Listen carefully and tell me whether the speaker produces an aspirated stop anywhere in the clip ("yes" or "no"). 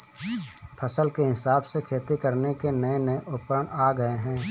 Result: yes